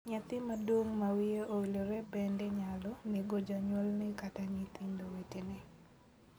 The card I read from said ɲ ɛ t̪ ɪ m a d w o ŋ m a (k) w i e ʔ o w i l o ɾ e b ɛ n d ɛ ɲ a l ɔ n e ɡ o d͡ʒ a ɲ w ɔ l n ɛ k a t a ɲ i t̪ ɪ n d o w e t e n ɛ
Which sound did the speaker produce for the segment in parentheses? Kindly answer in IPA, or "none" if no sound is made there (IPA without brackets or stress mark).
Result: none